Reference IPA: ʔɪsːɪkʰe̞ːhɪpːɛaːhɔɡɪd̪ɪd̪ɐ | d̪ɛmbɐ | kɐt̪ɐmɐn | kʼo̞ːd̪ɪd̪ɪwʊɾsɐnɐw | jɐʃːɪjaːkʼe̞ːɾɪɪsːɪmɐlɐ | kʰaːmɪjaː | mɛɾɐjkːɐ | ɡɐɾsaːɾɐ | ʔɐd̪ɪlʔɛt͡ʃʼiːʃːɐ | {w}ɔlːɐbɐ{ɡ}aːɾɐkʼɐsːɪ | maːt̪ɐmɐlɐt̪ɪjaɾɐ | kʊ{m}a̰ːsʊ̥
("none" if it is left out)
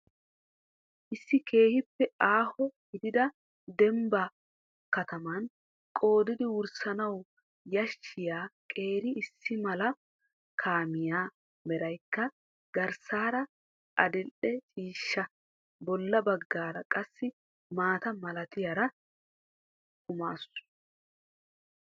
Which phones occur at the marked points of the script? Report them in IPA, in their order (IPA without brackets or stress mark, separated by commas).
b, ɡː, m